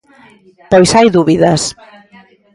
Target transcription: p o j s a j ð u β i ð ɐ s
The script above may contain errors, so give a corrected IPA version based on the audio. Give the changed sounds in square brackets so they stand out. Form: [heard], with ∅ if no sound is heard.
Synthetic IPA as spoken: p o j s a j ð u β i ð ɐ s